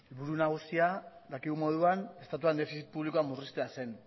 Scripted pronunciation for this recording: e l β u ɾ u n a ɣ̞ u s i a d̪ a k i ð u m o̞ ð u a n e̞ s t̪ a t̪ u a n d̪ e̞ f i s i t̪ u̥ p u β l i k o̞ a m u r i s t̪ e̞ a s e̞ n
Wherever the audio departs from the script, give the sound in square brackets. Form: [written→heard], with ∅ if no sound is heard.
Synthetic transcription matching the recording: e l β u ɾ u n a ɣ̞ u s i a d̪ a k i [ð→ɣ] u m o̞ ð u a n e̞ s t̪ a t̪ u a n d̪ e̞ f i s i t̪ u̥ p u β l i k o̞ a m u r i s t̪ e̞ a s e̞ n